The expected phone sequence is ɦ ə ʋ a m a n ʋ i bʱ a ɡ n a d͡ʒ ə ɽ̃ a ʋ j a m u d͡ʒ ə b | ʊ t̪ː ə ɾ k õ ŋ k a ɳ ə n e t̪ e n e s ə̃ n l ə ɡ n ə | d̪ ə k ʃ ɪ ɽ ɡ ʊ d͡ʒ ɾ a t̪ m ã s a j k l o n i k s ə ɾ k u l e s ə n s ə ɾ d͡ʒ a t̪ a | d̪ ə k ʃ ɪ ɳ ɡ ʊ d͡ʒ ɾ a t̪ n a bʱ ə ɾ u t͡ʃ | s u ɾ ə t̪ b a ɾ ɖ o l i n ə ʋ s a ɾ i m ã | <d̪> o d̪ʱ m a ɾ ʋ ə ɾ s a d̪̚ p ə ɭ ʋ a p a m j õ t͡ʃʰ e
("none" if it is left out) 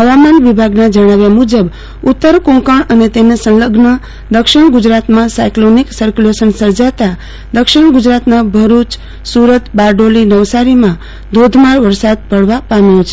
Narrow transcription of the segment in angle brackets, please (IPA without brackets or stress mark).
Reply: d̪